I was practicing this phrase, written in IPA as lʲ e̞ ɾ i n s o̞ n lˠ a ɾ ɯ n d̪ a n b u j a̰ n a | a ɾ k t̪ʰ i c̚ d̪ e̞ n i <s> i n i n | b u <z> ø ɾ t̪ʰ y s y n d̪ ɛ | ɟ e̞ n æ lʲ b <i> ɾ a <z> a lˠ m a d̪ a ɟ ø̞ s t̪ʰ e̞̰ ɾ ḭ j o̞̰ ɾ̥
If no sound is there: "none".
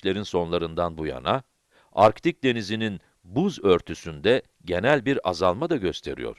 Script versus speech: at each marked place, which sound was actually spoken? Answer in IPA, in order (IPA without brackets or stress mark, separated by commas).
z, z, i, z